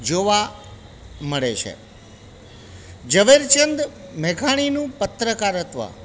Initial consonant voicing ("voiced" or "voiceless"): voiced